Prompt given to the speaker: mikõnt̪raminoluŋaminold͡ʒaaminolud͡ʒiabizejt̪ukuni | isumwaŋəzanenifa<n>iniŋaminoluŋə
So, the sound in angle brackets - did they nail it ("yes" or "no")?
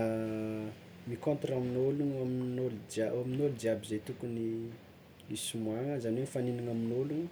yes